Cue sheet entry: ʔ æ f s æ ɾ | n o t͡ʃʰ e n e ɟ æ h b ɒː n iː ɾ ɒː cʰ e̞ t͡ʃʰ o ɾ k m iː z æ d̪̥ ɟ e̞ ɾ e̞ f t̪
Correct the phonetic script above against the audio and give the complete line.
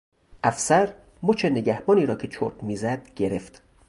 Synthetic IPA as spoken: ʔ æ f s æ ɾ | m o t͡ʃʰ e n e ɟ æ h b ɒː n iː ɾ ɒː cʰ e̞ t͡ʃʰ o ɾ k m iː z æ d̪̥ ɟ e̞ ɾ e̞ f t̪